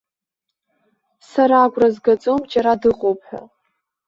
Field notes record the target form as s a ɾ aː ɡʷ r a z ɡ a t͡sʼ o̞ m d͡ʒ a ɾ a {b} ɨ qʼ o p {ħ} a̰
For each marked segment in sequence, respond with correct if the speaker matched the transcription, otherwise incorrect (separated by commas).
incorrect, correct